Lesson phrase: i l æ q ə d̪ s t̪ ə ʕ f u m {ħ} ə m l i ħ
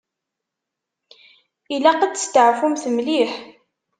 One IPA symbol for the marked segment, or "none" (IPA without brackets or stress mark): θ